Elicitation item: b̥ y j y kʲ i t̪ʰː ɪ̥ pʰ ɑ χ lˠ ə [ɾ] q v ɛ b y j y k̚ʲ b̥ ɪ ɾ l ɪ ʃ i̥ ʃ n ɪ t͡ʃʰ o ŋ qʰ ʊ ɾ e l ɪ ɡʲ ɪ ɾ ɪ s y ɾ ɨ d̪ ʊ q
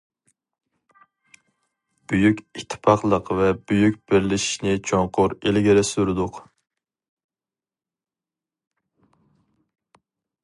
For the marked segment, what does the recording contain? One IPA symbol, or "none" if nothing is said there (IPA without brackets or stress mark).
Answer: none